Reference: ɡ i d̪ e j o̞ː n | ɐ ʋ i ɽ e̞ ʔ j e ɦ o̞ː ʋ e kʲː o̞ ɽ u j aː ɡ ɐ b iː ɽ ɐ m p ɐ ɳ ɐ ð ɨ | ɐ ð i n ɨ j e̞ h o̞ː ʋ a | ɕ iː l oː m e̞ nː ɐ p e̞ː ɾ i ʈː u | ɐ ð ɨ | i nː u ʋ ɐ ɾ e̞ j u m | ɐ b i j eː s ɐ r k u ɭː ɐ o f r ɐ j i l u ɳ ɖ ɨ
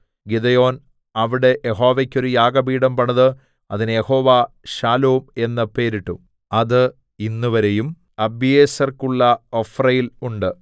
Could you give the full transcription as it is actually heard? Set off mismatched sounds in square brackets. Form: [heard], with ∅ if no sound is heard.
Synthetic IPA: ɡ i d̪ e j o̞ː n | ɐ ʋ i ɽ e̞ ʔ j e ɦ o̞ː ʋ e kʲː o̞ [ɾ] u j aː ɡ ɐ b iː ɽ ɐ m p ɐ ɳ ɐ ð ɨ | ɐ ð i n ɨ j e̞ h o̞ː ʋ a | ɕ [aː] l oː m e̞ nː ɐ p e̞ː ɾ i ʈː u | ɐ ð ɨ | i nː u ʋ ɐ ɾ e̞ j u m | ɐ b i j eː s ɐ r k u ɭː ɐ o f r ɐ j i l u ɳ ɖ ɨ